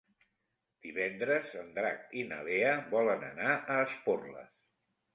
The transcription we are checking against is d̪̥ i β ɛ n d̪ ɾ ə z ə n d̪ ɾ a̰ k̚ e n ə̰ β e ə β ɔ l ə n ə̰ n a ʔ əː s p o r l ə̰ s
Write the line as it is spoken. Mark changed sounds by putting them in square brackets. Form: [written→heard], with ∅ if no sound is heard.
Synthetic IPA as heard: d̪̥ i β ɛ n d̪ ɾ ə z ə n d̪ ɾ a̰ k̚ [e→i] n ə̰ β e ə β ɔ l ə n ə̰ n a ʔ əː s p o r l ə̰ s